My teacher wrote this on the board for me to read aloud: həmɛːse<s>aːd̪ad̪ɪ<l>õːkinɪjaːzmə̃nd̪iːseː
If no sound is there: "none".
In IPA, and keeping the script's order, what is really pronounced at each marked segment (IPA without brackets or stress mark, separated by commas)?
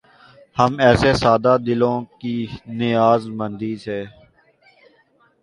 s, l